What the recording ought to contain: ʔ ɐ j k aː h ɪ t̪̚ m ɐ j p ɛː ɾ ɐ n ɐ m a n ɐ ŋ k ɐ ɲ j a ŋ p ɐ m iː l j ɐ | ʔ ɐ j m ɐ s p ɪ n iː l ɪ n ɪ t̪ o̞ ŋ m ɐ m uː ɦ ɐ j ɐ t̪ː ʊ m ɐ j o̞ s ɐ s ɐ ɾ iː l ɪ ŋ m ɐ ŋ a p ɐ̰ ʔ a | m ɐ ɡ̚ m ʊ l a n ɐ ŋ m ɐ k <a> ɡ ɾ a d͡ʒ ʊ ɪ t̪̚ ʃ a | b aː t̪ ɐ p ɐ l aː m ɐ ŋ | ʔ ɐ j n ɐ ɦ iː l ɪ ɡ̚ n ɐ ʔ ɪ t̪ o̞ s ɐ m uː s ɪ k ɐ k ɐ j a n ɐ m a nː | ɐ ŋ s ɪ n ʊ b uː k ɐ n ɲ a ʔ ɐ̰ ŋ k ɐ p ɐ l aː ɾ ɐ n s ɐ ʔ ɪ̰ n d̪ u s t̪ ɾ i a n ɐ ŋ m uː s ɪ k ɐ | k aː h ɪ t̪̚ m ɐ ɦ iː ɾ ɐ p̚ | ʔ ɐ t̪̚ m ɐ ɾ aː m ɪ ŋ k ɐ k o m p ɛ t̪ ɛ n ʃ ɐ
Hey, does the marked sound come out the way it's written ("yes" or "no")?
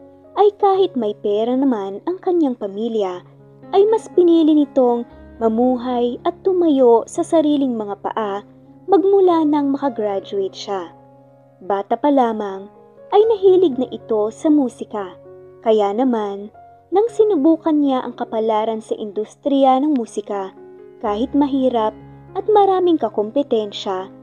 no